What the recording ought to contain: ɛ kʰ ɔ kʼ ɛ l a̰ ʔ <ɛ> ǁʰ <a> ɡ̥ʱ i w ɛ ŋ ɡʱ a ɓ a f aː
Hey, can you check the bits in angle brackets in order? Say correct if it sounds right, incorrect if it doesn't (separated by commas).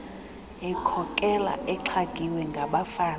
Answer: correct, correct